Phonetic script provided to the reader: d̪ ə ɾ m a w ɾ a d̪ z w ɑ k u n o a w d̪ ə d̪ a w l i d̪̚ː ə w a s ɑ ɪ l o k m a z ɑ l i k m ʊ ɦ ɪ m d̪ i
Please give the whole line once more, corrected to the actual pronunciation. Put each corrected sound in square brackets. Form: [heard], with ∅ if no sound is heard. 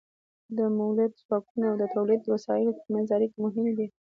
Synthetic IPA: d̪ ə [∅] m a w [l] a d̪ z w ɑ k u n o a w d̪ ə [t̪] a w l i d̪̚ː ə w a s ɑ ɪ l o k m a z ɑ [ɾ] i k m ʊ ɦ ɪ m d̪ i